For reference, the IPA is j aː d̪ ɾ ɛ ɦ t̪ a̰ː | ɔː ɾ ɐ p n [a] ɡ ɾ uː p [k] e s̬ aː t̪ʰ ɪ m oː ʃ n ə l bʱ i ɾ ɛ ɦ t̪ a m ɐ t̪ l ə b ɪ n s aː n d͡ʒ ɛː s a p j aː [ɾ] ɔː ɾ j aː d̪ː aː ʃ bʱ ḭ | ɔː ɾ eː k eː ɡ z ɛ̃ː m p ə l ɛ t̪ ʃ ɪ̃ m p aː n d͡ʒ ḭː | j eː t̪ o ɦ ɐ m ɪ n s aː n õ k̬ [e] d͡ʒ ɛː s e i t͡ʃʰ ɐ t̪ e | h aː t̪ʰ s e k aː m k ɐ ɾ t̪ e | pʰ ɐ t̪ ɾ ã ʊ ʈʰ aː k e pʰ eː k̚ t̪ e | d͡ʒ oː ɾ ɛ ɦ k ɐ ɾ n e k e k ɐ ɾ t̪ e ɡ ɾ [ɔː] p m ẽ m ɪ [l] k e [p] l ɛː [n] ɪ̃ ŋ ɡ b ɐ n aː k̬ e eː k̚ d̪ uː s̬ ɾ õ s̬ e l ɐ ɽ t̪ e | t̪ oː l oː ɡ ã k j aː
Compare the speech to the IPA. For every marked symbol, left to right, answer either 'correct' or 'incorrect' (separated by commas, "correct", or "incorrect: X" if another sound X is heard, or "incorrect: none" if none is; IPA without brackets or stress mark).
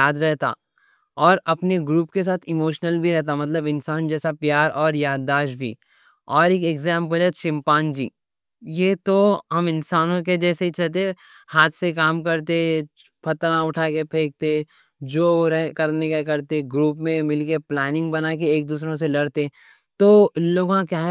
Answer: incorrect: e, correct, correct, correct, incorrect: uː, correct, correct, correct